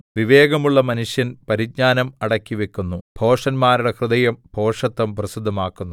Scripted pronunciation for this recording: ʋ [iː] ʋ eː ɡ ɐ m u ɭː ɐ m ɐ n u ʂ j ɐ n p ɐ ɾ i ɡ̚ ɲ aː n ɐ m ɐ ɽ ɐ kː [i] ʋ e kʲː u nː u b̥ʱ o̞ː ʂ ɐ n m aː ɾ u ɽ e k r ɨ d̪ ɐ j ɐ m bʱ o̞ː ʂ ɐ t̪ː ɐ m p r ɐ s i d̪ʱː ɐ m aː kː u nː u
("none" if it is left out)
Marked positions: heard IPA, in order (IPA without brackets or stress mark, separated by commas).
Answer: i, i